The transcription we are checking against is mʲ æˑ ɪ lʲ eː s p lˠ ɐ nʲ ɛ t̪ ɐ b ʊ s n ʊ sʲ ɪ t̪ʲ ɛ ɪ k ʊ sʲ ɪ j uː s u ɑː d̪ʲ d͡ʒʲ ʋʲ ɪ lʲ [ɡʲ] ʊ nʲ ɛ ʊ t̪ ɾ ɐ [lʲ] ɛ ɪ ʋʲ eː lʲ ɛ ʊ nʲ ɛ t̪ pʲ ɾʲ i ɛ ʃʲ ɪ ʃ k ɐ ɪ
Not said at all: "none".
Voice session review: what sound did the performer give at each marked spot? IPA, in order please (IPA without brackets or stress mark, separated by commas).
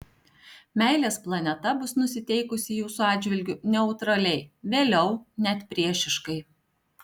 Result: ɡʲ, lʲ